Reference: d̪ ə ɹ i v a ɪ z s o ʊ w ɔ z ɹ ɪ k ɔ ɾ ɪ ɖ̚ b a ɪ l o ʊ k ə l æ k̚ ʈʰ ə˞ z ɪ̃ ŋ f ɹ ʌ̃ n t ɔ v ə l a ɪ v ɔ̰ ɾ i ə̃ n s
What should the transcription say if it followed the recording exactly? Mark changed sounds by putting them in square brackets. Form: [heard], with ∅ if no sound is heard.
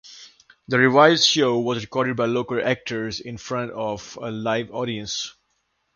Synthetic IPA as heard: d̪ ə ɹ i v a ɪ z [ʃ] o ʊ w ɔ z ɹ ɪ k ɔ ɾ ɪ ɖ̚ b a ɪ l o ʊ k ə l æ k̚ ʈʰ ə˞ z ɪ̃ [n] f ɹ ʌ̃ n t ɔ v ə l a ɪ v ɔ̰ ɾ i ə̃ n s